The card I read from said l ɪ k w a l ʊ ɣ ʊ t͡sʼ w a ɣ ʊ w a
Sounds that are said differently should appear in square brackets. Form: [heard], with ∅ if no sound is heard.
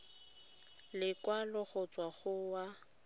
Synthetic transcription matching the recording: l ɪ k w a l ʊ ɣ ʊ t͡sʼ w a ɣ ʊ w a

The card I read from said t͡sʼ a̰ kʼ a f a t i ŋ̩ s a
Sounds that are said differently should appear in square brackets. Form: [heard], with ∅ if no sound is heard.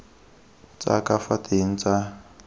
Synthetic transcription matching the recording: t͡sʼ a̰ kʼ a f a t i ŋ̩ [t͡s] a

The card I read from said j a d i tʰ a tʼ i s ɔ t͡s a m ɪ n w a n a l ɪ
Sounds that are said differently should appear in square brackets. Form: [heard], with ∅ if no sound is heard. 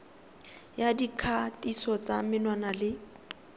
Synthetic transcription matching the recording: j a d i [kʰ] a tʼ i s ɔ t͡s a m ɪ n w a n a l ɪ

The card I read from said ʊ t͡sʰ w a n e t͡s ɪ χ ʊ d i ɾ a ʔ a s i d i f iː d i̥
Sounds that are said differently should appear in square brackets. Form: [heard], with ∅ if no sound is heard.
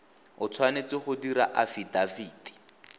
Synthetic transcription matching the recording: ʊ t͡sʰ w a n e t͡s ɪ χ ʊ d i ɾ a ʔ a [f] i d [a] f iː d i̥

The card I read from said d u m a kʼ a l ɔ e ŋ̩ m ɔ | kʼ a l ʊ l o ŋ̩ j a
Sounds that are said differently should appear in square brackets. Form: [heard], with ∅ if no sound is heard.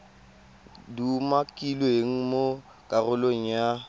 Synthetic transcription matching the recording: d u m a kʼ [i] l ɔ e ŋ̩ m [o] | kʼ a [r] ʊ l o ŋ̩ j a

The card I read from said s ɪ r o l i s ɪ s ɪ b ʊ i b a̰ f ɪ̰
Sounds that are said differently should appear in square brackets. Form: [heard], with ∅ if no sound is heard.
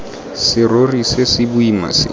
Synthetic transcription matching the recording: s ɪ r o [r] i s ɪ s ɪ b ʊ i [m] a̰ [s] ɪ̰

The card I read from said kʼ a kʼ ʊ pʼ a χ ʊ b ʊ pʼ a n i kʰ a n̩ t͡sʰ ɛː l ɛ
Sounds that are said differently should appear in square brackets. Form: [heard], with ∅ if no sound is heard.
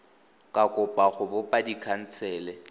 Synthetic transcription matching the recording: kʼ a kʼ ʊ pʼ a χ ʊ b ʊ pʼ a [d] i kʰ a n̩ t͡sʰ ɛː l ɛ

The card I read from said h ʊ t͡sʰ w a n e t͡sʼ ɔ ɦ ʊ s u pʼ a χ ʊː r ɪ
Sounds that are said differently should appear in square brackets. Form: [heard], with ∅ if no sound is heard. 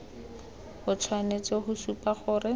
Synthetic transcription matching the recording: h ʊ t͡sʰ w a n e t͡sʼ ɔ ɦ ʊ s u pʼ a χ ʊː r ɪ

